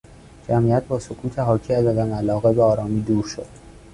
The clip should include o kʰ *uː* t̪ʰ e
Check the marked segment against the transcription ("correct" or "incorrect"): correct